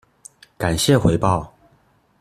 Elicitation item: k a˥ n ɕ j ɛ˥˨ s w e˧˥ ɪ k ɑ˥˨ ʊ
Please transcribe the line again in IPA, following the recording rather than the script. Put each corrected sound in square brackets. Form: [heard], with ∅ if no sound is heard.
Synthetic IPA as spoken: k [a˨˩] n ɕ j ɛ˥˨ [x] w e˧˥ ɪ [p] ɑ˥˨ ʊ